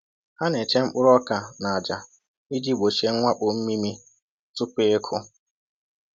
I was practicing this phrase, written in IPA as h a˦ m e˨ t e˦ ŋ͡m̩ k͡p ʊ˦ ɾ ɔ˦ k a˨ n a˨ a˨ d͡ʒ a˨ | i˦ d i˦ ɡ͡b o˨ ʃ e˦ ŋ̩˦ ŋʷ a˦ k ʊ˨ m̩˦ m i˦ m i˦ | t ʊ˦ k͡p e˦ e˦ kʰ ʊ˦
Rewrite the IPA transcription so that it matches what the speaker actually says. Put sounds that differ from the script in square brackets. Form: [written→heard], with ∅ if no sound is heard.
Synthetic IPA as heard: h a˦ [m→n] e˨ [t→t͡ʃ] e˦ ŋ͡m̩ k͡p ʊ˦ ɾ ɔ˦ k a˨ n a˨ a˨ d͡ʒ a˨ | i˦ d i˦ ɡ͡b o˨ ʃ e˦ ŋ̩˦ ŋʷ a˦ [k→k͡p] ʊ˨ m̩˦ m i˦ m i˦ | t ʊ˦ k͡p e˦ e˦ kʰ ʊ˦